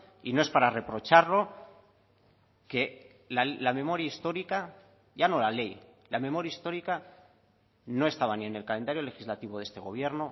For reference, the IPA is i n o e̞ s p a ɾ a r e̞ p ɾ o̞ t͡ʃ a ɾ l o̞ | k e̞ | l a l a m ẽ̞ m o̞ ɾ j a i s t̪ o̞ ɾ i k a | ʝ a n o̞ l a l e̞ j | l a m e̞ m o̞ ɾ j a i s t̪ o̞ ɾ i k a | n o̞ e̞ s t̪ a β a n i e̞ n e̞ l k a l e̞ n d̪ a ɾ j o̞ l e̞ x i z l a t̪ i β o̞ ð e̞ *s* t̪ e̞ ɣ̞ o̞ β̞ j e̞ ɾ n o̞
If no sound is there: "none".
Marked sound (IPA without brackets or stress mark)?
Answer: s